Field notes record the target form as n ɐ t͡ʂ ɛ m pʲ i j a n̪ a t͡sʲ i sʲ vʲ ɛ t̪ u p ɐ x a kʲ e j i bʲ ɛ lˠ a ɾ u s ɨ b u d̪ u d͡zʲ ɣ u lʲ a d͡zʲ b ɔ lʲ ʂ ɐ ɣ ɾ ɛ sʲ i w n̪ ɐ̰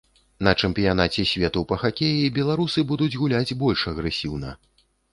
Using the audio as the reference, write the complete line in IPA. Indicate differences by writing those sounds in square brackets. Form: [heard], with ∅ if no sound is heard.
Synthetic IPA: n ɐ t͡ʂ ɛ m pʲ i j a n̪ a t͡sʲ [ɛ] sʲ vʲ ɛ t̪ u p ɐ x a kʲ e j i bʲ ɛ lˠ a ɾ u s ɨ b u d̪ u d͡zʲ ɣ u lʲ a d͡zʲ b ɔ lʲ ʂ ɐ ɣ ɾ ɛ sʲ i w n̪ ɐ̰